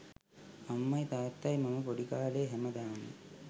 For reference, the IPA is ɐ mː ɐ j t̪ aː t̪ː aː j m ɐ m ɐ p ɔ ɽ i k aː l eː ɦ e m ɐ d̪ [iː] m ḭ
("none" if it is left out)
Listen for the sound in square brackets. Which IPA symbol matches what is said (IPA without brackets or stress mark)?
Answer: aː